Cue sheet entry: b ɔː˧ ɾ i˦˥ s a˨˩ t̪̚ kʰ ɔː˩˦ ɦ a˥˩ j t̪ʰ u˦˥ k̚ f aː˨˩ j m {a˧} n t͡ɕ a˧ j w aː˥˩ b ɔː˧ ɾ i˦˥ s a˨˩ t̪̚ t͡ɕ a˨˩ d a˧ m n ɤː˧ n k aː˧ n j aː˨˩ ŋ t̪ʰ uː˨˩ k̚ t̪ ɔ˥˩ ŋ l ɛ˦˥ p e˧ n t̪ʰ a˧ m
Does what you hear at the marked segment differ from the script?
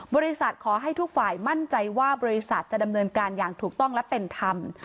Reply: yes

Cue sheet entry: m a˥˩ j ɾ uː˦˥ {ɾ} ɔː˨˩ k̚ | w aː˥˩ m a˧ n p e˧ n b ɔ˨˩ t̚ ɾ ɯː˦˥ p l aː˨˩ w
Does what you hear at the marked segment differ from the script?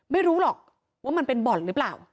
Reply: yes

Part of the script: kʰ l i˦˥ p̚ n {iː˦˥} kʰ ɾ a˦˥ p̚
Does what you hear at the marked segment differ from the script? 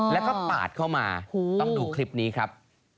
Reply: no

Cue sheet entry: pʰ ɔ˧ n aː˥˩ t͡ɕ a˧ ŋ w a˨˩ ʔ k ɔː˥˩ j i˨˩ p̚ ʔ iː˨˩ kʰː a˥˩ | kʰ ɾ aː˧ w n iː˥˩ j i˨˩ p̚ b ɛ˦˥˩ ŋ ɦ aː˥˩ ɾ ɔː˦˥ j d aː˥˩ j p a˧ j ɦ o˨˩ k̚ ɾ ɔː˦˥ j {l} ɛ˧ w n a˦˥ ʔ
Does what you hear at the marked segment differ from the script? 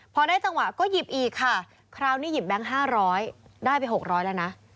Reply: no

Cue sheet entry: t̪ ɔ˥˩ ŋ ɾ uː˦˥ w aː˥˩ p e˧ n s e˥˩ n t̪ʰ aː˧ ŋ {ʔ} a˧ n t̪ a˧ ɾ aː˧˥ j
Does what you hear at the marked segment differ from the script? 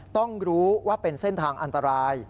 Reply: no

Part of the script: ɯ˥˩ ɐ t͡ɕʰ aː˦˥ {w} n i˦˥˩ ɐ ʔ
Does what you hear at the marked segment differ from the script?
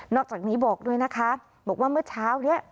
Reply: no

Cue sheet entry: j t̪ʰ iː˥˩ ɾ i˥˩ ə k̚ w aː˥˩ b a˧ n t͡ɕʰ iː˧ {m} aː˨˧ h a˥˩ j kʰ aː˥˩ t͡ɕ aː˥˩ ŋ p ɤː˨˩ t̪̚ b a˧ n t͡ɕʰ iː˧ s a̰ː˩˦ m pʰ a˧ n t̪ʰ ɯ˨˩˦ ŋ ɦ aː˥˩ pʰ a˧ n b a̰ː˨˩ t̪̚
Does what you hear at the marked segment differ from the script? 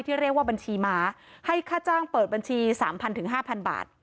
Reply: no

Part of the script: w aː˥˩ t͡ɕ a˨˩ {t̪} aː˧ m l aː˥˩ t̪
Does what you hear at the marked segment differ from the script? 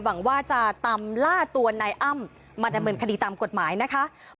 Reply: no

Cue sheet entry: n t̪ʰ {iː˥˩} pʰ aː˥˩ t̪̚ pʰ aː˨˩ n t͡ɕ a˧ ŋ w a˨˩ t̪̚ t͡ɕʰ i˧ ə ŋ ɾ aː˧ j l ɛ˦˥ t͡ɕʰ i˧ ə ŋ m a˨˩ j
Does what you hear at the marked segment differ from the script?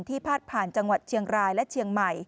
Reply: no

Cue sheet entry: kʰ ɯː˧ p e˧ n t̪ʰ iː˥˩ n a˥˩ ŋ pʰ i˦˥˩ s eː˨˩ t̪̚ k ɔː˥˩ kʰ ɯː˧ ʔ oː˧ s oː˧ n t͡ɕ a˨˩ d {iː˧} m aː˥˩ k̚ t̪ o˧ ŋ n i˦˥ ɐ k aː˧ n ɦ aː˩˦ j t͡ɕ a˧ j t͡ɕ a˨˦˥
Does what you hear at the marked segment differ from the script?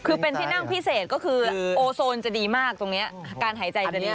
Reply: no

